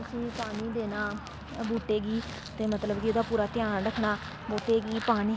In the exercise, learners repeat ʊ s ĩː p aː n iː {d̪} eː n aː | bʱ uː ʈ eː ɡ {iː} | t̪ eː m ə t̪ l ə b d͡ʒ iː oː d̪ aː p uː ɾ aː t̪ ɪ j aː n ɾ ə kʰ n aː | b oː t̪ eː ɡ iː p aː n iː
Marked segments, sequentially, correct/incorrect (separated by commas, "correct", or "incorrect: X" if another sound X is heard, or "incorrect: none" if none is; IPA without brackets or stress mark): correct, correct